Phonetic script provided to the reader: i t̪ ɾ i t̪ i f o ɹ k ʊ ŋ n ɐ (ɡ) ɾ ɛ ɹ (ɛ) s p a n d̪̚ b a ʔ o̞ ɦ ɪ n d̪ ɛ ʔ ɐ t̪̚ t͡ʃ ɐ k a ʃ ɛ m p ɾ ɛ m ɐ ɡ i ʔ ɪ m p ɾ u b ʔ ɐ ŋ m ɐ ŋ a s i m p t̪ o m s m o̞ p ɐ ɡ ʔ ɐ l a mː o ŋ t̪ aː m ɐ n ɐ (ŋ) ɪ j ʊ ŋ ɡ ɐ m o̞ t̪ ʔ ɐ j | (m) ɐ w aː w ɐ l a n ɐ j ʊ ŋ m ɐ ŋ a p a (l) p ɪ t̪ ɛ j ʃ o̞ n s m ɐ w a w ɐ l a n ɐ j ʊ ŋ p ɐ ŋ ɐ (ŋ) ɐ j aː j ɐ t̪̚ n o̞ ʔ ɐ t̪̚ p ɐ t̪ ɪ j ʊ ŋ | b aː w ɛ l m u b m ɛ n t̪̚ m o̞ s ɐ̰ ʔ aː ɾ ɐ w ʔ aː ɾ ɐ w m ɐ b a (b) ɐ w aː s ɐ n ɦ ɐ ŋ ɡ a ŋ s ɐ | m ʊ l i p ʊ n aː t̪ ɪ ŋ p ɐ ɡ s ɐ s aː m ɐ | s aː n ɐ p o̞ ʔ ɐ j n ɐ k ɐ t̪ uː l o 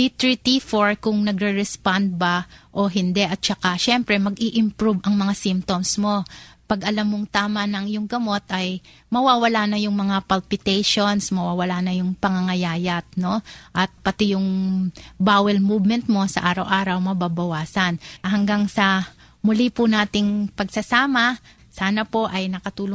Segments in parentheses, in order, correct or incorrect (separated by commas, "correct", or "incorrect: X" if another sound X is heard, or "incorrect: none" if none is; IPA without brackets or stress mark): correct, correct, correct, correct, correct, correct, correct